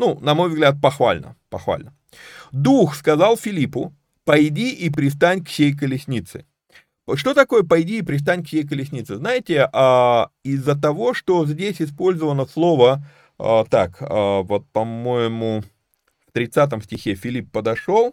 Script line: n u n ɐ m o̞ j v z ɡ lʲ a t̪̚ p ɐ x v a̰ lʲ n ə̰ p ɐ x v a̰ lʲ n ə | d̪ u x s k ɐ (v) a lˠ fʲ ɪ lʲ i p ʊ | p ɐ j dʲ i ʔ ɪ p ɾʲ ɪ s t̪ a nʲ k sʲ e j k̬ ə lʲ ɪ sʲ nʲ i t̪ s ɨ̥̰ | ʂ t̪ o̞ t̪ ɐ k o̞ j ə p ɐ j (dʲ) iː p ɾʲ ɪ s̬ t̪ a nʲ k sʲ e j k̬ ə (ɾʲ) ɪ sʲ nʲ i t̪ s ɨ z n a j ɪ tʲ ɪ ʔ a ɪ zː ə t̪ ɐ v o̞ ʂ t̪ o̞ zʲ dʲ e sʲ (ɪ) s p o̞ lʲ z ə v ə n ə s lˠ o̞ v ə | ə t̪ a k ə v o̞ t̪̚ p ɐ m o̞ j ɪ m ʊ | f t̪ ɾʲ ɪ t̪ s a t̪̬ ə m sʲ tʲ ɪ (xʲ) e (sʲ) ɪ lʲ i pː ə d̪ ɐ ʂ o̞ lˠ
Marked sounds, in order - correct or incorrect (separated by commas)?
incorrect, correct, incorrect, correct, correct, incorrect